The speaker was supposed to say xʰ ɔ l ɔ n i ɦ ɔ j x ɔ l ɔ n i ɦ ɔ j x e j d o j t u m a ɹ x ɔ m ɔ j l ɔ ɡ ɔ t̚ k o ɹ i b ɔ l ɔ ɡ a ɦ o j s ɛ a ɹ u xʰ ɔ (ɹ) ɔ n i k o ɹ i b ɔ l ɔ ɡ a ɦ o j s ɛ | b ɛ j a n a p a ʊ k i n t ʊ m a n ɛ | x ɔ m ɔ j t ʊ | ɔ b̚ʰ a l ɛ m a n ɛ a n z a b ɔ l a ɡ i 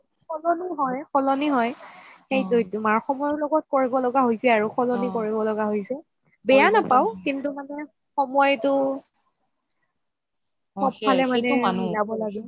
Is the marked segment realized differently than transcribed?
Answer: yes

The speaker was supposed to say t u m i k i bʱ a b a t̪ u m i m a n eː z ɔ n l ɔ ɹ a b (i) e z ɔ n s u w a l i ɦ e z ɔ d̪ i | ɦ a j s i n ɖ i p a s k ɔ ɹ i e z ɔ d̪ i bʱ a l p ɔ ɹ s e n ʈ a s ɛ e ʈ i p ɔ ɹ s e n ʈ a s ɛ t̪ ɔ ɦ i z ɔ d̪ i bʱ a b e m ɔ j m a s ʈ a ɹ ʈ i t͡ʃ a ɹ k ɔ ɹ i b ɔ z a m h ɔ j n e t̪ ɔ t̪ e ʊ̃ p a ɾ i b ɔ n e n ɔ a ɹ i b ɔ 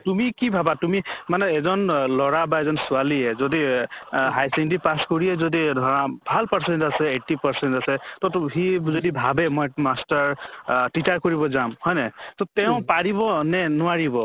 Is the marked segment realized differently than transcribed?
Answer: yes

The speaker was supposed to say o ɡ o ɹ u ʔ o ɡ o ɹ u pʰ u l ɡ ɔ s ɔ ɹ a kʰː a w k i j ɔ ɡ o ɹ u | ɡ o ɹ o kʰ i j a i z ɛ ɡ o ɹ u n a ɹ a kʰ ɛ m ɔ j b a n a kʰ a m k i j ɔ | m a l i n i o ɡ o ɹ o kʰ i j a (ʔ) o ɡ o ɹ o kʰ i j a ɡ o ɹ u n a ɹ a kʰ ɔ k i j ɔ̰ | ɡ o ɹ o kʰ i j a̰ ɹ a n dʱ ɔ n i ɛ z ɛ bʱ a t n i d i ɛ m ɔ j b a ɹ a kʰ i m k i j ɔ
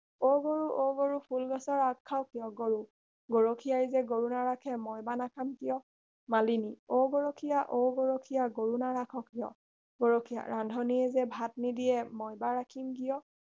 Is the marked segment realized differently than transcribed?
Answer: no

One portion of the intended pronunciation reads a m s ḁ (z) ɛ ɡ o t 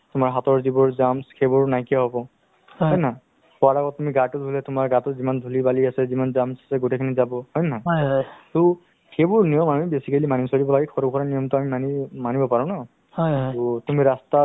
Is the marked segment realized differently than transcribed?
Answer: yes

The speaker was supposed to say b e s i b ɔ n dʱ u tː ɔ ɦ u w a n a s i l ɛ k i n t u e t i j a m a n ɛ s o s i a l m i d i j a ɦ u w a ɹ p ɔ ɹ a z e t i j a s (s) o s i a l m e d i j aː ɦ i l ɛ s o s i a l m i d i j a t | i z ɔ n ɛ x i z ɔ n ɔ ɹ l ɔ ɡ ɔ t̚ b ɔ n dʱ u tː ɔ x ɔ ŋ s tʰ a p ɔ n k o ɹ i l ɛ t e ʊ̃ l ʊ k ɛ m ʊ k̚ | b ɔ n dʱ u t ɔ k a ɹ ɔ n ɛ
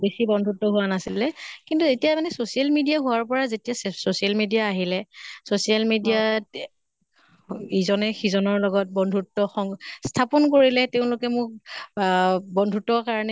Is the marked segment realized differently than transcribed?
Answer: no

